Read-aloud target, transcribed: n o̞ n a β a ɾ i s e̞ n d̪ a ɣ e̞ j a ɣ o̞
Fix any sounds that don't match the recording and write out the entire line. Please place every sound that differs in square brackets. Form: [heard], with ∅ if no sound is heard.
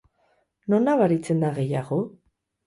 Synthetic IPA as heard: n o̞ n a β a ɾ i [t͡s] e̞ n d̪ a ɣ e̞ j a ɣ o̞